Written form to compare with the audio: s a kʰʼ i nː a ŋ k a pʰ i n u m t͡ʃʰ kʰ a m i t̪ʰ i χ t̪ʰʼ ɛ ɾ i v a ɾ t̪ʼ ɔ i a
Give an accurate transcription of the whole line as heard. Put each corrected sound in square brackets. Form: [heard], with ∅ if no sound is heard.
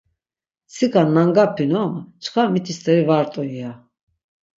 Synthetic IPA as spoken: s [i] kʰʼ [a] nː a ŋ [ɡ] a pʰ i n [ɔ] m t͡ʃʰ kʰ a m i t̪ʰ i [s] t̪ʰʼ ɛ ɾ i v a ɾ t̪ʼ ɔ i a